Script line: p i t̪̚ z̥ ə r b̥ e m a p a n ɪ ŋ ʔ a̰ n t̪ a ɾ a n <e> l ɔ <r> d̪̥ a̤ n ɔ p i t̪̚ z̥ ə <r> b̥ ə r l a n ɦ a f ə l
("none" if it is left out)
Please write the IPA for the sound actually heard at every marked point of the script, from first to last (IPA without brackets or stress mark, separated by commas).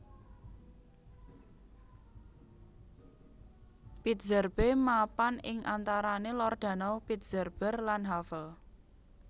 e, r, r